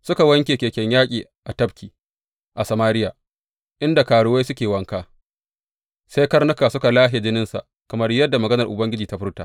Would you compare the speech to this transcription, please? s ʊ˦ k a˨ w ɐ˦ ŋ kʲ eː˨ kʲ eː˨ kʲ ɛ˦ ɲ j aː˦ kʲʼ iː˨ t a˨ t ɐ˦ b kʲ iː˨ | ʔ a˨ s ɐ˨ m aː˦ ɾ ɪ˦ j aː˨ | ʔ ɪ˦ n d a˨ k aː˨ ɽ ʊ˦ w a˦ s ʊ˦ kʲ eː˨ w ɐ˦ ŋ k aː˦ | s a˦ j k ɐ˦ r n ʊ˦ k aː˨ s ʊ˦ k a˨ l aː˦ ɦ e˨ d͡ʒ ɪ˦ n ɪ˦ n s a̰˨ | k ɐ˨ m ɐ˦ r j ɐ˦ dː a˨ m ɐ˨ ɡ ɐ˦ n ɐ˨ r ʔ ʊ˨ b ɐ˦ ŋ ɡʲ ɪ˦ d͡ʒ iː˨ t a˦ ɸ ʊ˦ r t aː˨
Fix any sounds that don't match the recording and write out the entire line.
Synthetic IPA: s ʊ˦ k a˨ w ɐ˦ ŋ kʲ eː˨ kʲ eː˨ kʲ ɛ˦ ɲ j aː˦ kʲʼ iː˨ ʔ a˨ t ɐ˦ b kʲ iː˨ | ʔ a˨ s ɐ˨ m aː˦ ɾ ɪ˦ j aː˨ | ʔ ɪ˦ n d a˨ k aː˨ ɽ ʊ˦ w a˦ s ʊ˦ kʲ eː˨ w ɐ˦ ŋ k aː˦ | s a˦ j k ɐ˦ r n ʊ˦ k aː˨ s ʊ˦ k a˨ l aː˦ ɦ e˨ d͡ʒ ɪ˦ n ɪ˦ n s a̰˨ | k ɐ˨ m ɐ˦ r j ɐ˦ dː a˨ m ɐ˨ ɡ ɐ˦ n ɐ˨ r ʔ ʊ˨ b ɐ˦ ŋ ɡʲ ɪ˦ d͡ʒ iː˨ t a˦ ɸ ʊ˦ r t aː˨